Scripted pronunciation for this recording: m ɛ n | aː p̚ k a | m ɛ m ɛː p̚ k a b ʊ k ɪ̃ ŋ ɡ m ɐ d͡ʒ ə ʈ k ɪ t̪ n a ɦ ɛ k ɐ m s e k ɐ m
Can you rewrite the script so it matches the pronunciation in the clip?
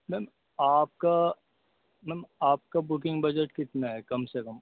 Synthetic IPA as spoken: m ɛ m | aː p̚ k a | m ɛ m aː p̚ k a b ʊ k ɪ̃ ŋ ɡ b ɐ d͡ʒ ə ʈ k ɪ t̪ n a ɦ ɛ k ɐ m s e k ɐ m